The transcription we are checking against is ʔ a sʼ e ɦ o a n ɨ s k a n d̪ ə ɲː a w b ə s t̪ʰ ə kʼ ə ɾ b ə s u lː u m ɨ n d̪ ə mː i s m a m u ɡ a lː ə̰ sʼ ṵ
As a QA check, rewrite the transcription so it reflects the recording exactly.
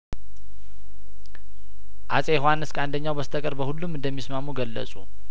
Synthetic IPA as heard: ʔ a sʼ e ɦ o a n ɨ s k a n d̪ ə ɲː a w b ə s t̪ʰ ə kʼ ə ɾ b ə h u lː u m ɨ n d̪ ə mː i s m a m u ɡ ə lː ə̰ sʼ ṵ